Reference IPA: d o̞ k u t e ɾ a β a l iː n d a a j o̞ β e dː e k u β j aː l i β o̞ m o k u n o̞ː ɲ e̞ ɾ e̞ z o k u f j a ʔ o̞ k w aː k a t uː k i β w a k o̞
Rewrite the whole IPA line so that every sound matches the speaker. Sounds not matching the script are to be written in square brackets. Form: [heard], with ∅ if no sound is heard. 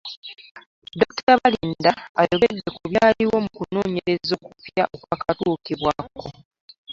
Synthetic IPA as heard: d o̞ k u t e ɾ a β a l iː n d a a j o̞ β e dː e k u β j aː l i [w] o̞ m [u] k u n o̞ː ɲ e̞ ɾ e̞ z o k u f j a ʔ o̞ k w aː k a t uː k i β w a k o̞

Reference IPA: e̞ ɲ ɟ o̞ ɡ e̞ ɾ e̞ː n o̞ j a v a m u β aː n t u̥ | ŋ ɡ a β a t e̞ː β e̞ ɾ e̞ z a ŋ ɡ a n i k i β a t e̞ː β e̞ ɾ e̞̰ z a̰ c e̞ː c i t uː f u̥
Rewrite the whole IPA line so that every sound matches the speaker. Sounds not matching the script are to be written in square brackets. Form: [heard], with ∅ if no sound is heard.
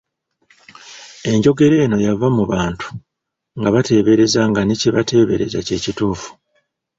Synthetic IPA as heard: e̞ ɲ ɟ o̞ ɡ e̞ ɾ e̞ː n o̞ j a v a m u β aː n t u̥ | ŋ ɡ a β a t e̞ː β e̞ ɾ e̞ z a ŋ ɡ a n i [c] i β a t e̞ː β e̞ ɾ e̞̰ z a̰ c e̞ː c i t uː f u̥

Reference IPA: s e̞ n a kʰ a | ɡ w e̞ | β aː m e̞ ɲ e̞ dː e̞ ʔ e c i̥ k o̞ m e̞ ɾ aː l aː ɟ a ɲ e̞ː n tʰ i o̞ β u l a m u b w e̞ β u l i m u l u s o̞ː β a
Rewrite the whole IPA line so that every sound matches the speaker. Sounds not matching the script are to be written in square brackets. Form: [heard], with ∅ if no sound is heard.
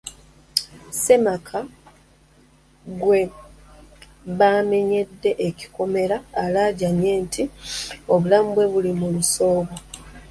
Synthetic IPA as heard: s e̞ [m] a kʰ a | ɡ w e̞ | β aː m e̞ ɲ e̞ dː e̞ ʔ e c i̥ k o̞ m e̞ ɾ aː l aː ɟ a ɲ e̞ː n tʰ i o̞ β u l a m u b w e̞ β u l i m u l u s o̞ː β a

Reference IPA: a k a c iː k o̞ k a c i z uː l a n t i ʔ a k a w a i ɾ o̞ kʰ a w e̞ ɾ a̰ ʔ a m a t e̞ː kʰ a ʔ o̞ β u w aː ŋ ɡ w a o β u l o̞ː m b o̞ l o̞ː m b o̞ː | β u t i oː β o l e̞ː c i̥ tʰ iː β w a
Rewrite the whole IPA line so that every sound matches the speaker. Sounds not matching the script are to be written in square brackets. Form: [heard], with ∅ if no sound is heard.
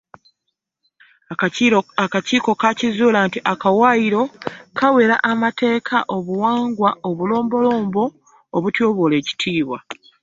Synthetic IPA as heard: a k a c iː k o̞ k a c i z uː l a n t i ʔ a k a w a i ɾ o̞ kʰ a w e̞ ɾ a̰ ʔ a m a t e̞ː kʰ a ʔ o̞ β u w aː ŋ ɡ w a o β u l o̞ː m b o̞ l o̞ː m b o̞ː | β u t [j] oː β o l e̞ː c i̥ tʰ iː β w a

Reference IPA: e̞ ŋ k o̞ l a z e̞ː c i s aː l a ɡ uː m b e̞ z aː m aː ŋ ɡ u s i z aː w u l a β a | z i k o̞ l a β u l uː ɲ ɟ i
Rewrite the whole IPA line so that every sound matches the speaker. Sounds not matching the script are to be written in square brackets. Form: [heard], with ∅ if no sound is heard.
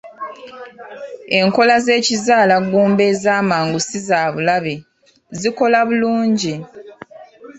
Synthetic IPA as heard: e̞ ŋ k o̞ l a z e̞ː c i [z] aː l a ɡ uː m b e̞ z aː m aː ŋ ɡ u s i z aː [β] u l a β [e] | z i k o̞ l a β u l uː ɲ ɟ i

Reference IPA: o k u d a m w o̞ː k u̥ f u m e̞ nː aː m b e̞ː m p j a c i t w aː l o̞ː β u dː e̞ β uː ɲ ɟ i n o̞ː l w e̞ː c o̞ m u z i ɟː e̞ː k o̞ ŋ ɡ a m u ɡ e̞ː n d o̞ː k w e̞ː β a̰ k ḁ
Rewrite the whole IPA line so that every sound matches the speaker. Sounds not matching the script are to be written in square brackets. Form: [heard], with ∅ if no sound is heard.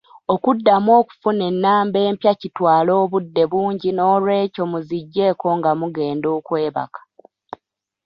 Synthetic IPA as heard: o k u [dː] a m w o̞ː k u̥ f u [n] e̞ nː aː m b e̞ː m p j a c i t w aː l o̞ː β u dː e̞ β uː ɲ ɟ i n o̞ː l w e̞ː c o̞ m u z i ɟː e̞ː k o̞ ŋ ɡ a m u ɡ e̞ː n d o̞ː k w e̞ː β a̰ k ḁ

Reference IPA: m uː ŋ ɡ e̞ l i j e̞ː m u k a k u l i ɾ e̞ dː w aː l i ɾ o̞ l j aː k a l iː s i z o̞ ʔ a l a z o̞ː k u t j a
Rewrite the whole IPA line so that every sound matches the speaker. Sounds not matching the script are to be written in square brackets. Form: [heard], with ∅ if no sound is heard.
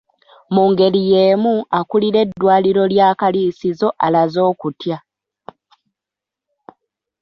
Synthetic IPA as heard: m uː ŋ ɡ e̞ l i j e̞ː m u [∅] a k u l i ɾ e̞ dː w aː l i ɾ o̞ l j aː k a l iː s i z o̞ ʔ a l a z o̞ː k u t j a

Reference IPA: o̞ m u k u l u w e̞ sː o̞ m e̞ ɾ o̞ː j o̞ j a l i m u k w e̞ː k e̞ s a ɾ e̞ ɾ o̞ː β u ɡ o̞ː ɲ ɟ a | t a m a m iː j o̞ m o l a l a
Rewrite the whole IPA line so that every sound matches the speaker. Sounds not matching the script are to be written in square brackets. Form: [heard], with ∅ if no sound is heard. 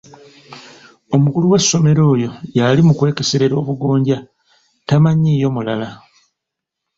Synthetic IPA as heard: o̞ m u k u l u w e̞ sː o̞ m e̞ ɾ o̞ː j o̞ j a l i m u k w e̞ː k e̞ s [e] ɾ e̞ ɾ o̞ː β u ɡ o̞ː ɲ ɟ a | t a m a [ɲ] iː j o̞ m [u] l a l a

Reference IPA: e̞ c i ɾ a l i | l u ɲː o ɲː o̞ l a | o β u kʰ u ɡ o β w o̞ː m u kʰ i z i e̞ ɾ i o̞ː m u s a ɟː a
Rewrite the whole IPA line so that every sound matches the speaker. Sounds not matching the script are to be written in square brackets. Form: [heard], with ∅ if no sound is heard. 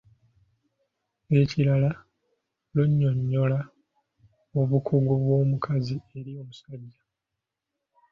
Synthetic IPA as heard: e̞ c i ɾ a l [a] | l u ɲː o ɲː o̞ l a | o β u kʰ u ɡ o β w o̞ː m u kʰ [a] z i e̞ ɾ i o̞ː m u s a ɟː a

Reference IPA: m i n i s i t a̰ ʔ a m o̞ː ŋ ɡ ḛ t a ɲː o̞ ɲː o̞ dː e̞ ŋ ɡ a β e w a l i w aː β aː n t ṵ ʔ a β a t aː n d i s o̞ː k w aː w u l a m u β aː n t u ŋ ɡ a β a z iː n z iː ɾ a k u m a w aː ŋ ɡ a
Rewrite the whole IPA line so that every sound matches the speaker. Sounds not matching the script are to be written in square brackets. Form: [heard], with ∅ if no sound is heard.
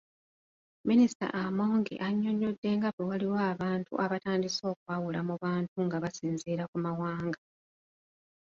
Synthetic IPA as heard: m i n i s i t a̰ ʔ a m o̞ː ŋ ɡ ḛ [ʔ] a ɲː o̞ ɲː o̞ dː e̞ ŋ ɡ a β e w a l i w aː β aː n t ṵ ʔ a β a t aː n d i s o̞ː k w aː w u l a m u β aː n t u ŋ ɡ a β a [s] iː n z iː ɾ a k u m a w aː ŋ ɡ a

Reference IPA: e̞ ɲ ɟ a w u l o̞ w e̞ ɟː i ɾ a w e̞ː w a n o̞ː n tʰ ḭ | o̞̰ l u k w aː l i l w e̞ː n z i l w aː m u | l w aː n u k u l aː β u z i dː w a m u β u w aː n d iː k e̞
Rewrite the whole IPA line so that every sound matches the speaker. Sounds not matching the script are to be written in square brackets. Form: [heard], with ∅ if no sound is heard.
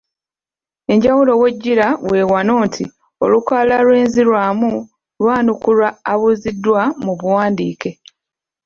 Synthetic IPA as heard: e̞ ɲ ɟ a w u l o̞ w e̞ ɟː i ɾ a w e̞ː w a n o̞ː n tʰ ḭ | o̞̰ l u k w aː l [a] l w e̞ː n z i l w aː m u | l w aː n u k u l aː β u z i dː w a m u β u w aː n d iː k e̞

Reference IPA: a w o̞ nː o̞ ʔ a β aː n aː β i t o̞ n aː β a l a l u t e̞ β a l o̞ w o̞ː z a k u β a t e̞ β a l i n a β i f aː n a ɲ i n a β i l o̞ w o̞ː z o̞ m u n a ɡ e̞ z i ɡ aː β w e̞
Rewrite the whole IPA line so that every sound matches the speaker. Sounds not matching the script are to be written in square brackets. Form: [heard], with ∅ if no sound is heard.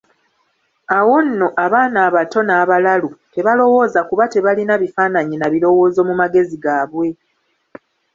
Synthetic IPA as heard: a w o̞ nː o̞ ʔ a β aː n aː β [a] t o̞ n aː β a l a l u t e̞ β a l o̞ w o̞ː z a k u β a t e̞ β a l i n a β i f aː n a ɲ i n a β i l o̞ w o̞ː z o̞ m u [m] a ɡ e̞ z i ɡ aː β w e̞

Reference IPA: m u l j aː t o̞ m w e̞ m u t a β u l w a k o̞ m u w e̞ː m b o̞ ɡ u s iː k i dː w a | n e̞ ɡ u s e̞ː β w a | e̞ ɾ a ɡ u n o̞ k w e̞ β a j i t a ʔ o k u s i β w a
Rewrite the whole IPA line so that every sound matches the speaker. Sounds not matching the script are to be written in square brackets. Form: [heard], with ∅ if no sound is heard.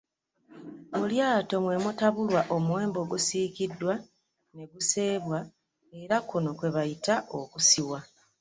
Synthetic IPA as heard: m u l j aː t o̞ m w e̞ m u t a β u l w a [ʔ] o̞ m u w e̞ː m b o̞ ɡ u s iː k i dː w a | n e̞ ɡ u s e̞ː β w a | e̞ ɾ a [k] u n o̞ k w e̞ β a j i t a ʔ o k u s i [∅] w a

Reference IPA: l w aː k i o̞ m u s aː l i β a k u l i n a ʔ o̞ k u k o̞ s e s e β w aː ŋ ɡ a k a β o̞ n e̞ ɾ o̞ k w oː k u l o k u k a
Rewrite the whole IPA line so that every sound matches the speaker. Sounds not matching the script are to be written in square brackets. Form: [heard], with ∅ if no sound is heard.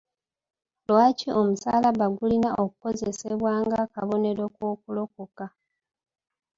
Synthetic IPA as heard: l w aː [c] i o̞ m u s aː l [a] β a [ɡ] u l i n a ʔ o̞ k u k o̞ [z] e s e β w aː ŋ ɡ a k a β o̞ n e̞ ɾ o̞ k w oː k u l o k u k a

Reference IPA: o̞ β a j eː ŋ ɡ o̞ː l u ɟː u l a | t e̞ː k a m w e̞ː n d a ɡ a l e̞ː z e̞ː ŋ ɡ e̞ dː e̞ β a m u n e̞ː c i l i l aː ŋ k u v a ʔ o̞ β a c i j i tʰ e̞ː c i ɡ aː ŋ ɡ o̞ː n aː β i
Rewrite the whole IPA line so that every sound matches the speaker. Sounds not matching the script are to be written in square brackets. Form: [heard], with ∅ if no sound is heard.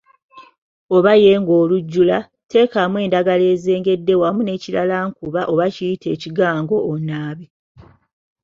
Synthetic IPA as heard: o̞ β a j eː ŋ ɡ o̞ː l u ɟː u l a | t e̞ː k a m w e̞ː n d a ɡ a l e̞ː z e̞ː ŋ ɡ e̞ dː e̞ [w] a m u n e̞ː c i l [a] l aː ŋ k u [β] a ʔ o̞ β a c i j i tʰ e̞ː c i ɡ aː ŋ ɡ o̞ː n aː β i

